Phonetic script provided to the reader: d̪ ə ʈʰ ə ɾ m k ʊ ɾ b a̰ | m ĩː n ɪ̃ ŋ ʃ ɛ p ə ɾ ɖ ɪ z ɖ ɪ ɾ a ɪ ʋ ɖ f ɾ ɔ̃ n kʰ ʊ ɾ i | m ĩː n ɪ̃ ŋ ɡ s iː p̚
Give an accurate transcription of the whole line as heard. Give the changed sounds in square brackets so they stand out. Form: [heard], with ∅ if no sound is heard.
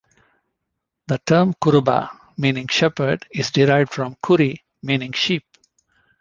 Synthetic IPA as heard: d̪ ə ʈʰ ə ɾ m k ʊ ɾ b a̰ | m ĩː n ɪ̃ ŋ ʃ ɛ p ə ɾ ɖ ɪ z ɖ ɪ ɾ a ɪ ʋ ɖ f ɾ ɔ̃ [m] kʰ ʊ ɾ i | m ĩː n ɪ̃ ŋ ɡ [ʃ] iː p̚